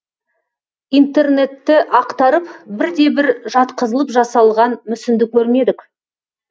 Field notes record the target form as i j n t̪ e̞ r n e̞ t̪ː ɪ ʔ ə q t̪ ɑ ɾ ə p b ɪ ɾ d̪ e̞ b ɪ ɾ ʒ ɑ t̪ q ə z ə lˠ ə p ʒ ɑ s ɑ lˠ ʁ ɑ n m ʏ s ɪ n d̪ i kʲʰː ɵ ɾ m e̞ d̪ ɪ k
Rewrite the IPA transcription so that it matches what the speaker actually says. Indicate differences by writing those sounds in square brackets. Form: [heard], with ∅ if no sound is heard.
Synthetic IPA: i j n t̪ e̞ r n e̞ t̪ː ɪ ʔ [ɑ] q t̪ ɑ ɾ ə p b ɪ ɾ d̪ e̞ b ɪ ɾ ʒ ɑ t̪ q ə z ə lˠ ə p ʒ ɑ s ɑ lˠ ʁ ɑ n m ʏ s ɪ n d̪ [ɪ] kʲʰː ɵ ɾ m e̞ d̪ ɪ k